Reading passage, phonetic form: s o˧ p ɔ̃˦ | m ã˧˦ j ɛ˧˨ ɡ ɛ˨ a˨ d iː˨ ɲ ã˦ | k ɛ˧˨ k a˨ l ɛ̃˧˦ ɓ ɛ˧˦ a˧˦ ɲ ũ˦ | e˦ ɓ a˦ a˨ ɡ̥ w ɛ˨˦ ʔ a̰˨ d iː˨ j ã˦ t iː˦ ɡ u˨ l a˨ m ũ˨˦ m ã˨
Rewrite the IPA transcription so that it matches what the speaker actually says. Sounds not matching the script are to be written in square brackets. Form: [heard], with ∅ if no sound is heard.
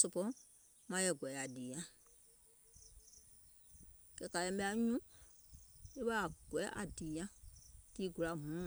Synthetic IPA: s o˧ p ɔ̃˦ | m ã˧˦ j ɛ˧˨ ɡ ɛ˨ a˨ d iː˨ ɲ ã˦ | k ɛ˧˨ k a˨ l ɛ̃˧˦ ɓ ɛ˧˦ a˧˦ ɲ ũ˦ | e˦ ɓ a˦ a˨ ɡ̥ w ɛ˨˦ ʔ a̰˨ d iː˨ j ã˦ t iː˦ ɡ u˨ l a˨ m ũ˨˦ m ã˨